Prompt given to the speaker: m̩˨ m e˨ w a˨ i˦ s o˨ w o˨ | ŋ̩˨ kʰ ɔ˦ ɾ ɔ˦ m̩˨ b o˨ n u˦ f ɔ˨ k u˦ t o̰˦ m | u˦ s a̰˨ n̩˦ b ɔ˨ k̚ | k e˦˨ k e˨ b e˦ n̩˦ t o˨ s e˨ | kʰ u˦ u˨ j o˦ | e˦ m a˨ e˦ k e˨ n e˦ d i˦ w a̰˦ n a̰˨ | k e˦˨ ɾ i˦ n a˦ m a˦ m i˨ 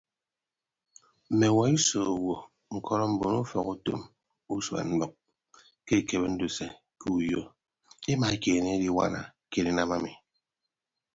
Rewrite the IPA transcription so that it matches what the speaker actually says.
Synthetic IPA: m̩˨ m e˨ w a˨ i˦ s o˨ w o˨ | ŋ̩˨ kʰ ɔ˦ ɾ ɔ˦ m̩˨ b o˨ n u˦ f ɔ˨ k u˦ t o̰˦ m | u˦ s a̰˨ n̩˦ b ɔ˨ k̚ | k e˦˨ k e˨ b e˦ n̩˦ d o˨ s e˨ | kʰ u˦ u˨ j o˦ | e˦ m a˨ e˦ k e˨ n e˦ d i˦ w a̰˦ n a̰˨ | k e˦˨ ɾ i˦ n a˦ m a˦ m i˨